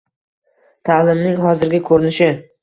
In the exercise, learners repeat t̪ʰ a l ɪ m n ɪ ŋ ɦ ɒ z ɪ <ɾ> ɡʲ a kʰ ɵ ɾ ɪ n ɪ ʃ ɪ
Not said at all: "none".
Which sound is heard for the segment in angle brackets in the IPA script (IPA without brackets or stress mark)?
ɾ